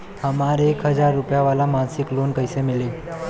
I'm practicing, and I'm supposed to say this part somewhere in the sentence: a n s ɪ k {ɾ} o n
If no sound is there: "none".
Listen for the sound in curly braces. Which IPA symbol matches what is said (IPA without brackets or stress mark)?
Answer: l